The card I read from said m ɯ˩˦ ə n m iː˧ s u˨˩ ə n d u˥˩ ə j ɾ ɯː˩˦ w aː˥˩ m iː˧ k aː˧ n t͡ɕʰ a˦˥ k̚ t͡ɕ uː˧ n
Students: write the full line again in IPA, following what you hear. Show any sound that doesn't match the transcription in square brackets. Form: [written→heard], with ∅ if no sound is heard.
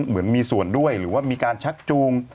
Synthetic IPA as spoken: m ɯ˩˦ ə n m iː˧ s u˨˩ ə n d u˥˩ ə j ɾ ɯː˩˦ w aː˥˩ m iː˧ k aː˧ n t͡ɕʰ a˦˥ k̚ t͡ɕ uː˧ [n→ŋ]